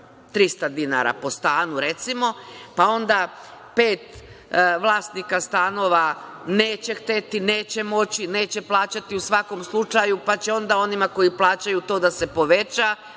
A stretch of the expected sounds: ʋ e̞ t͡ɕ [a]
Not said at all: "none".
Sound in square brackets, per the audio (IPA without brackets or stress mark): a